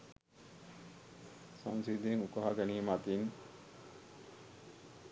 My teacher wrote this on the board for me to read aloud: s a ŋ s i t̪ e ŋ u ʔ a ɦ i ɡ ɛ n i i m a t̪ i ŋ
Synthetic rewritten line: s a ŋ s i d̪ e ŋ u k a ɦ a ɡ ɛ n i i m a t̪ i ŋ